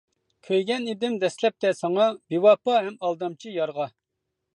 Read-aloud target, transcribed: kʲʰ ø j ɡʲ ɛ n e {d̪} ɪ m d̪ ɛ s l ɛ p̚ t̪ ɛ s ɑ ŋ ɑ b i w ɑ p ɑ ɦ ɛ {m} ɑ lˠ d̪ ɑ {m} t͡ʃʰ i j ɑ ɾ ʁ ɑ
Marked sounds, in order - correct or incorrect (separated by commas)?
correct, correct, correct